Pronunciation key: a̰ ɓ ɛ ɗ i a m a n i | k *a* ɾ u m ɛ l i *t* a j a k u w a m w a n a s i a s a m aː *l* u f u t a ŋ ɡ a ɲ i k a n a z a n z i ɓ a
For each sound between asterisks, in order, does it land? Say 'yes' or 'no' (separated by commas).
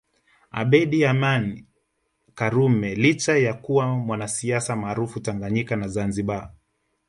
yes, no, no